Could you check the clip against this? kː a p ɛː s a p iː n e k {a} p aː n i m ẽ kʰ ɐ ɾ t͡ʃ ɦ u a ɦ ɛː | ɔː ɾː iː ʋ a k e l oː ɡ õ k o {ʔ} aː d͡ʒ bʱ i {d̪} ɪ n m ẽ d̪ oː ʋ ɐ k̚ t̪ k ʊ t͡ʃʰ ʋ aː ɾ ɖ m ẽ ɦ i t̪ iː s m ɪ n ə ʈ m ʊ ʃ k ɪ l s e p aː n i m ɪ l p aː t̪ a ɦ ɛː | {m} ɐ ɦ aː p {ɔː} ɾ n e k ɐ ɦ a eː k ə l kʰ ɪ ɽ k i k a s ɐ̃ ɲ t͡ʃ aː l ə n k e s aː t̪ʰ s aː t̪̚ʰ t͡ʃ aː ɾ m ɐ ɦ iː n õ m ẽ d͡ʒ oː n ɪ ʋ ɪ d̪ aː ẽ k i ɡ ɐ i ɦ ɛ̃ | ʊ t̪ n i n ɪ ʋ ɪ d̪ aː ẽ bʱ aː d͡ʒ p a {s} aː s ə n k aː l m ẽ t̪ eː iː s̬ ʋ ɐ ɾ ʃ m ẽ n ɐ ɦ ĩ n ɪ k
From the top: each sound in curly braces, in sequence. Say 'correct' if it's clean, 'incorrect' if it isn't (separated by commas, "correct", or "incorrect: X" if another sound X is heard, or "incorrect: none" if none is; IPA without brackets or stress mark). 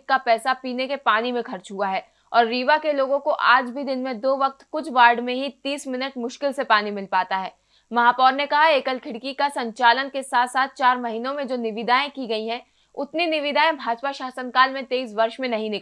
incorrect: e, correct, correct, correct, correct, incorrect: ʃ